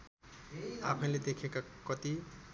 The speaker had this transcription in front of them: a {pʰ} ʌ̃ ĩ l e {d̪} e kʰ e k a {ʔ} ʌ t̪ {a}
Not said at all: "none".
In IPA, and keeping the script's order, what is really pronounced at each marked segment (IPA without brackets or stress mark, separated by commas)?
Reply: pʰ, d̪, k, i